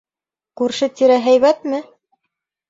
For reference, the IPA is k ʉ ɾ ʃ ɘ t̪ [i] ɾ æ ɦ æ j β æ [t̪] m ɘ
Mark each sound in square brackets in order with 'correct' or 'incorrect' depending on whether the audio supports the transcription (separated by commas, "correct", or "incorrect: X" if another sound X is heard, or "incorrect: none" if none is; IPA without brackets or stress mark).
correct, correct